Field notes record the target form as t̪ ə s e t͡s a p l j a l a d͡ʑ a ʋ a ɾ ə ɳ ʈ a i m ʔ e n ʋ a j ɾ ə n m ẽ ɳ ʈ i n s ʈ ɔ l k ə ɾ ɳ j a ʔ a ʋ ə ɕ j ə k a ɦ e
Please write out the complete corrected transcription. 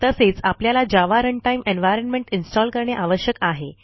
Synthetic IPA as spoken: t̪ ə s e t͡s a p l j a l a d͡ʑ a ʋ a ɾ ə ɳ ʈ a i m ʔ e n ʋ a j ɾ ə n m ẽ ɳ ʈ i n s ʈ ɔ l k ə ɾ ɳ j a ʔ a ʋ ə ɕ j ə k a ɦ e